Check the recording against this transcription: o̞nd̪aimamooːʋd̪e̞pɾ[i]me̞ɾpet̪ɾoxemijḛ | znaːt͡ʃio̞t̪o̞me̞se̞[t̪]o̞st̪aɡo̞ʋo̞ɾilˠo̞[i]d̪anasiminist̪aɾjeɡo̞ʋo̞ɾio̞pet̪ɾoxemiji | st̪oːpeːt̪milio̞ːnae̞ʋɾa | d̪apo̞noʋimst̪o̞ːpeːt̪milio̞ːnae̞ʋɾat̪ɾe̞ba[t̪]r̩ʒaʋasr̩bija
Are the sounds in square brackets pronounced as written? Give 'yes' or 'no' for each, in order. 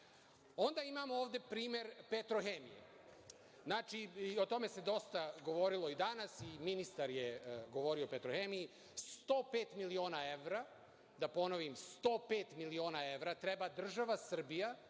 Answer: no, no, yes, no

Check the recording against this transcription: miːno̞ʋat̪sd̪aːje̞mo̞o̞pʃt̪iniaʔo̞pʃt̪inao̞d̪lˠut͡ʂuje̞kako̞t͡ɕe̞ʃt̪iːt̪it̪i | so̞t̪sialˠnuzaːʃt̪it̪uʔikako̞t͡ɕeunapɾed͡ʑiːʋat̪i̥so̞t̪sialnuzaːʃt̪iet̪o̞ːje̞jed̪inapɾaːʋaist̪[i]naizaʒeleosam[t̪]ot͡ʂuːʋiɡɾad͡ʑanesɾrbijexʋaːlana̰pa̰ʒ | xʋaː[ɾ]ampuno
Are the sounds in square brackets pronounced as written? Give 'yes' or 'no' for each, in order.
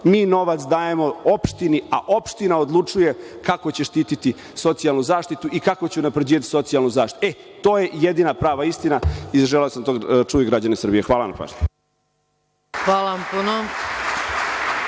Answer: yes, yes, no

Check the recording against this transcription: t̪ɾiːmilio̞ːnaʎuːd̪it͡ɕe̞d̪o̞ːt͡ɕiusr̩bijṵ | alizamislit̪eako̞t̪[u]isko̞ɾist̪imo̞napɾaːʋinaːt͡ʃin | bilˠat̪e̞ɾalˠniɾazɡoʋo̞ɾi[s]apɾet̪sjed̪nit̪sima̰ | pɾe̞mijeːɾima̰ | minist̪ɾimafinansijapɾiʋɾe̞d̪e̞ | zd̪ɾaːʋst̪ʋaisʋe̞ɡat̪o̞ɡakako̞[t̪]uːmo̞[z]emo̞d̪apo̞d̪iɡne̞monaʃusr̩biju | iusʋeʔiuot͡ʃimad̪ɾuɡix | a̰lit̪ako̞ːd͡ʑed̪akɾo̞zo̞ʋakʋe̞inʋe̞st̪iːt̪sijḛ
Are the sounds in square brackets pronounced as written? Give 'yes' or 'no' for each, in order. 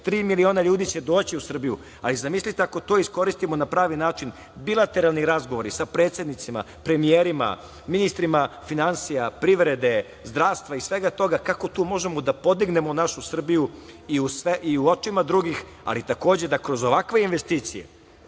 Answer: no, yes, yes, no

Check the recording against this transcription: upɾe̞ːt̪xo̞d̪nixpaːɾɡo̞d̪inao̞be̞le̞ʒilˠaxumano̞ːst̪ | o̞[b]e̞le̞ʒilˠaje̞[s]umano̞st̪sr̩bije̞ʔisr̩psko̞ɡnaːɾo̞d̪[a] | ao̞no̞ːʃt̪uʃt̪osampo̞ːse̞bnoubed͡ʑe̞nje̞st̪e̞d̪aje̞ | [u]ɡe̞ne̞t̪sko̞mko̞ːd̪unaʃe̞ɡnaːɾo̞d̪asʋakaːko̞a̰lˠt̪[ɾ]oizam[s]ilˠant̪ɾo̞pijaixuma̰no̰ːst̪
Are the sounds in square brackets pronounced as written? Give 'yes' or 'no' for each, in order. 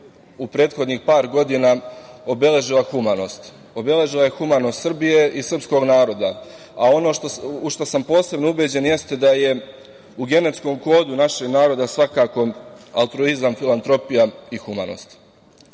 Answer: yes, no, yes, yes, yes, no

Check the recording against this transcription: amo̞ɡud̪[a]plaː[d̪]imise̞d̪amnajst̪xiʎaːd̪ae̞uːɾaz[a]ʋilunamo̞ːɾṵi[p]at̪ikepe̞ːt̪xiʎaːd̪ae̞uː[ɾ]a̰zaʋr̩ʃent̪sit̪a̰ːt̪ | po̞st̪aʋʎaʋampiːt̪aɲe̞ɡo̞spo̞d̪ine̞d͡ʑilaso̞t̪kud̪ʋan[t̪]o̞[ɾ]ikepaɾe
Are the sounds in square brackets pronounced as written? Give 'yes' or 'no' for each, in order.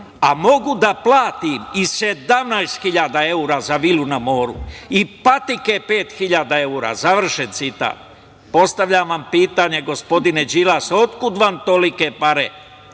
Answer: yes, no, yes, yes, yes, yes, no

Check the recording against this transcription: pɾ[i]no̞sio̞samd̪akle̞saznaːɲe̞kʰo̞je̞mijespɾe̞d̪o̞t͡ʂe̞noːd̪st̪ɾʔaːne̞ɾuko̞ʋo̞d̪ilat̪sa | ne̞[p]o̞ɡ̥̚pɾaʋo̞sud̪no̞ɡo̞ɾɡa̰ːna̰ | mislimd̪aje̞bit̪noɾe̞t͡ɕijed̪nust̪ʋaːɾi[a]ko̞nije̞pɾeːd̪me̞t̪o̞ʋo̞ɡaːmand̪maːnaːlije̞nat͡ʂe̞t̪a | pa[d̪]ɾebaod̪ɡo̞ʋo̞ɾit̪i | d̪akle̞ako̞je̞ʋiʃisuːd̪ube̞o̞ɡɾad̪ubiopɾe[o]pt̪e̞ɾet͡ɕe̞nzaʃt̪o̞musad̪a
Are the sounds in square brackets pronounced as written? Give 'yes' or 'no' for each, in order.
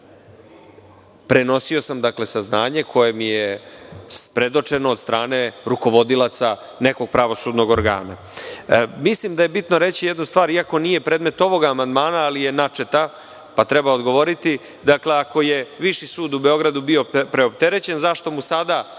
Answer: no, no, yes, no, yes

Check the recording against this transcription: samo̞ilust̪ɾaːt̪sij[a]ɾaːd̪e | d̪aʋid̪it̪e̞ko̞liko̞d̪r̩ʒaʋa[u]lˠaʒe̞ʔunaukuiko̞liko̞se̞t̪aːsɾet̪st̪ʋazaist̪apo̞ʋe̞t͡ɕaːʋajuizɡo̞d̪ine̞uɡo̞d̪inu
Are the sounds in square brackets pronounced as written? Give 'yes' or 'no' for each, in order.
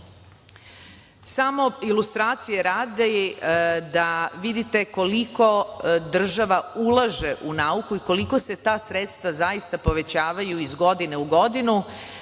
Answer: no, yes

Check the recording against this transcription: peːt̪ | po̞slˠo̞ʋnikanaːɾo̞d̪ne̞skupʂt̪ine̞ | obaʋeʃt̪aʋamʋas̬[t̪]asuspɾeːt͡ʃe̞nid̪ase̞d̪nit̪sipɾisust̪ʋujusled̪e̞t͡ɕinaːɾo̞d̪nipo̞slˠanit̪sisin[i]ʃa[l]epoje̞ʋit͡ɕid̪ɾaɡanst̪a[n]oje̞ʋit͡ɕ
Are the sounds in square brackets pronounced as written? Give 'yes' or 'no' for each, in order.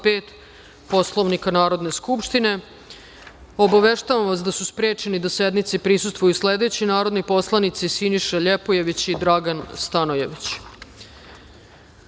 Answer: no, yes, no, yes

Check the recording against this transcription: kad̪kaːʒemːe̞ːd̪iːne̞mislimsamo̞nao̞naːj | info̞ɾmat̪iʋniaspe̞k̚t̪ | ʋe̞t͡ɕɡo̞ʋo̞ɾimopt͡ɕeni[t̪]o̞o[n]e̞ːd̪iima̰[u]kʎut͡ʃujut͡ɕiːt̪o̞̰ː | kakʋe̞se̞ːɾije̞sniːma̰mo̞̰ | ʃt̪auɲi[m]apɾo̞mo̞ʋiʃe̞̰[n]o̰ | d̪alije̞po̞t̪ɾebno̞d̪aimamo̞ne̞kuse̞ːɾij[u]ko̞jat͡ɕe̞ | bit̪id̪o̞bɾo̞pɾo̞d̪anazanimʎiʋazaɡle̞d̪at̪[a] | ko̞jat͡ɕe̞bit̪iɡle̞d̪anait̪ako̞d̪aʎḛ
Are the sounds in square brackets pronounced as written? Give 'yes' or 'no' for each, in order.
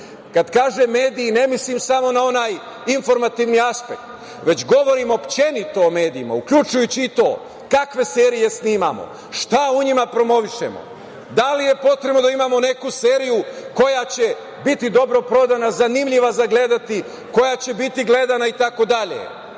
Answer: yes, no, yes, yes, no, yes, no

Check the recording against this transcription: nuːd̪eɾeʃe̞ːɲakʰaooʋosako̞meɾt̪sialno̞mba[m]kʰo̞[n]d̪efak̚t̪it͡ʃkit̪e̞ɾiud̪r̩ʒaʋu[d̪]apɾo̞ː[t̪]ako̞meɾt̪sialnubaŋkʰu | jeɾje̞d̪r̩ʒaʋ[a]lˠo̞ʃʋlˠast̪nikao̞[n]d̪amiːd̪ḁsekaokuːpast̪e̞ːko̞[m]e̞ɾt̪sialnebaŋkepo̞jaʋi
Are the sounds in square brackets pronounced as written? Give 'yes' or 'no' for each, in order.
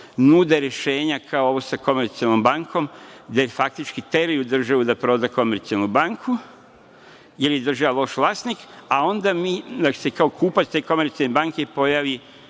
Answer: no, no, yes, no, yes, yes, yes

